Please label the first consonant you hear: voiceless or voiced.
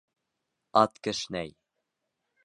voiceless